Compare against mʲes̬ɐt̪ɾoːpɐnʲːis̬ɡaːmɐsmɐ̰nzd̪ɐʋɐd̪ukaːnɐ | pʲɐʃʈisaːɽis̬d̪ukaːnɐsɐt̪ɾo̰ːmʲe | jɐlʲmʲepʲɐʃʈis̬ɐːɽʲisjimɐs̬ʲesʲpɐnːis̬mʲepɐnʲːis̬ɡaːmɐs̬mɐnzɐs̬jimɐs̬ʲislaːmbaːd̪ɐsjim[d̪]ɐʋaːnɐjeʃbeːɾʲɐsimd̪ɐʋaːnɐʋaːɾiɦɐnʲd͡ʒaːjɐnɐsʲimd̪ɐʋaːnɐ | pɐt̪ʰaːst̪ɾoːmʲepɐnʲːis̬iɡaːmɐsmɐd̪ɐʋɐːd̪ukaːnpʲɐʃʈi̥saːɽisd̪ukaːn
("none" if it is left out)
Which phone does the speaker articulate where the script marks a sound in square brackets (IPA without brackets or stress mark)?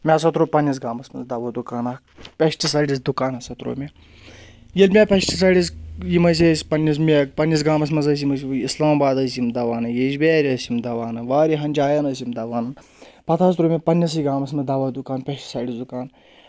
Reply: d̪